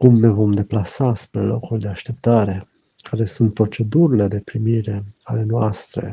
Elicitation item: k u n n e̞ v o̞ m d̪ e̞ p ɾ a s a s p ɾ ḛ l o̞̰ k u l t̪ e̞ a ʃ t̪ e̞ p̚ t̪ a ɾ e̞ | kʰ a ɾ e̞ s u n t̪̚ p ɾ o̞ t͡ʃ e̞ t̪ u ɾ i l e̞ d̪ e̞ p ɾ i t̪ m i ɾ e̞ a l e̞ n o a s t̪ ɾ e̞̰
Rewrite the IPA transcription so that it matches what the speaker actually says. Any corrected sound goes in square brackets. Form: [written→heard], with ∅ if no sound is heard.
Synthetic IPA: k u [n→m] n e̞ v o̞ m d̪ e̞ p [ɾ→l] a s a s p ɾ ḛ l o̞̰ k u l [t̪→d̪] e̞ a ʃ t̪ e̞ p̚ t̪ a ɾ e̞ | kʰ a ɾ e̞ s u n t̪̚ p ɾ o̞ t͡ʃ e̞ [t̪→d̪] u ɾ i l e̞ d̪ e̞ p ɾ i [t̪→∅] m i ɾ e̞ a l e̞ n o a s t̪ ɾ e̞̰